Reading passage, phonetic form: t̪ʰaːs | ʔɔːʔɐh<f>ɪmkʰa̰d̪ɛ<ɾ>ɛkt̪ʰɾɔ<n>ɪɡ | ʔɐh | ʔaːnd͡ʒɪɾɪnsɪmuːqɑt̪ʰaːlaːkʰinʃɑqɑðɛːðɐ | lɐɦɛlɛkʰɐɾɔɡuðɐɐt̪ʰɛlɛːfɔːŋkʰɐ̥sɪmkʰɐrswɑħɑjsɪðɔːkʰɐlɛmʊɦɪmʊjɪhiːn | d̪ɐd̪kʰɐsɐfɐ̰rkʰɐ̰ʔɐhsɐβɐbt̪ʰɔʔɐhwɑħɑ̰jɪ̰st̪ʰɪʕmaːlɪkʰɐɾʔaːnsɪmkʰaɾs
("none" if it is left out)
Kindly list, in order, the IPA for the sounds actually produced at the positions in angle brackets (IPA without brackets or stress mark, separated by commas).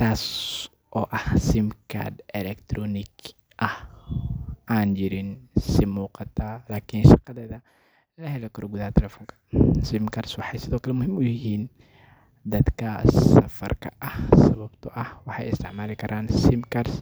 s, l, n